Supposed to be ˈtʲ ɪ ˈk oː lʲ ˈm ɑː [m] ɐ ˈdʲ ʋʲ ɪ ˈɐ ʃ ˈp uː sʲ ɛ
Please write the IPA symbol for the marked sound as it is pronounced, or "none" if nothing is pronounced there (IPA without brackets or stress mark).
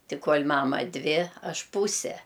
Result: m